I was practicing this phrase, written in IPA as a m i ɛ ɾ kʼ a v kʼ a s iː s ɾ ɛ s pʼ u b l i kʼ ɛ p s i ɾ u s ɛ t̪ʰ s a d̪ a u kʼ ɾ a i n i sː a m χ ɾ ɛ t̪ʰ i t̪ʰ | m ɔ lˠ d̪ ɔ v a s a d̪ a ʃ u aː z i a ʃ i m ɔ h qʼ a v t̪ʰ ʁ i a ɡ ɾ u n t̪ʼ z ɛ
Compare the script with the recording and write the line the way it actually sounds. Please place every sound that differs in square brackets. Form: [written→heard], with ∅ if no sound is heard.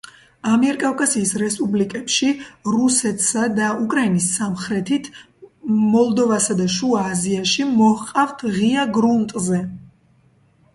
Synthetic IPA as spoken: a m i ɛ ɾ kʼ a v kʼ a s iː s ɾ ɛ s pʼ u b l i kʼ ɛ p [s→ʃ] i ɾ u s ɛ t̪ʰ s a d̪ a u kʼ ɾ a i n i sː a m χ ɾ ɛ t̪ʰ i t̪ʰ | m ɔ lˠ d̪ ɔ v a s a d̪ a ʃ u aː z i a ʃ i m ɔ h qʼ a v t̪ʰ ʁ i a ɡ ɾ u n t̪ʼ z ɛ